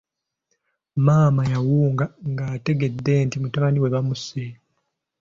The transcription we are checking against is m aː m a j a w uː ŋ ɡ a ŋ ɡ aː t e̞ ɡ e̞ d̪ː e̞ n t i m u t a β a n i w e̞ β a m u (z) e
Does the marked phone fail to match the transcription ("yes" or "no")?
yes